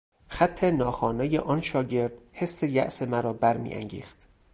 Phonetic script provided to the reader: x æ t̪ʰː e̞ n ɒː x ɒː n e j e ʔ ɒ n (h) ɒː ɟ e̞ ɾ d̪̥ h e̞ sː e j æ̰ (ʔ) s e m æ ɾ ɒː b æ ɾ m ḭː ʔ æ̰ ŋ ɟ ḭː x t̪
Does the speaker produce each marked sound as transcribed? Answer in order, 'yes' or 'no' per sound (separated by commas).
no, yes